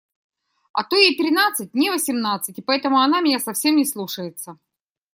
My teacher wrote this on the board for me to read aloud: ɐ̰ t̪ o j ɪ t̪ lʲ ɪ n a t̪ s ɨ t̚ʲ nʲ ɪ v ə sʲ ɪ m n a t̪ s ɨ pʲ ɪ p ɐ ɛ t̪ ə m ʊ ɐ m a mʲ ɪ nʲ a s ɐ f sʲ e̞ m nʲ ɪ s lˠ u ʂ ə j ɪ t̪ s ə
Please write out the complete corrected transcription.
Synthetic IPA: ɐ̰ t̪ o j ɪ t̪ ɾʲ ɪ n a t̪ s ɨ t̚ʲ nʲ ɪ v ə sʲ ɪ m n a t̪ s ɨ tʲ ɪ p ɐ ɛ t̪ ə m ʊ ɐ n a mʲ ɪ nʲ a s ɐ f sʲ e̞ m nʲ ɪ s lˠ u ʂ ə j ɪ t̪ s ə